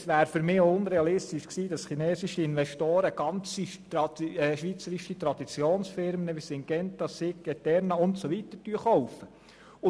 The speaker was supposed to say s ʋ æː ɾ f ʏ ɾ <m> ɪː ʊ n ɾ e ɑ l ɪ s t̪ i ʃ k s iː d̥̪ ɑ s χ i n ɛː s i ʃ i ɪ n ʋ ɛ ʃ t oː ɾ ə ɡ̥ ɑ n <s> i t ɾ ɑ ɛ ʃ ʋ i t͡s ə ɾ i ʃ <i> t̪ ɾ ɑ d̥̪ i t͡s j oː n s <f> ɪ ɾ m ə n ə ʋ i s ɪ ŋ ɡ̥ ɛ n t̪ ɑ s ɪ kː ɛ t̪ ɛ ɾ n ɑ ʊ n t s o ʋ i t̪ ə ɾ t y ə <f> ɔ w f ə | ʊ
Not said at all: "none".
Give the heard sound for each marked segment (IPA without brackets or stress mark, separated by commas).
m, t͡s, i, f, χ